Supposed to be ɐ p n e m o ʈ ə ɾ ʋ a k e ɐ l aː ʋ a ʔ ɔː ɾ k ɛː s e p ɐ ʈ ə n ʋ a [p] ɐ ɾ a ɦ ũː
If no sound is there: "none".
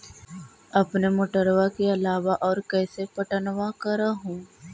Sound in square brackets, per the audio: k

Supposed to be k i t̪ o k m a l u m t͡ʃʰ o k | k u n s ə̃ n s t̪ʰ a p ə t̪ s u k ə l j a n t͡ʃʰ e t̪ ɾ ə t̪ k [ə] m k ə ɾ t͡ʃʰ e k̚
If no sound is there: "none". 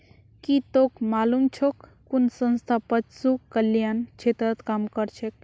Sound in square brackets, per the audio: a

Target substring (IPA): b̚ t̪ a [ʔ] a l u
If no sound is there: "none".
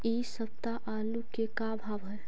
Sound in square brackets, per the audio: ʔ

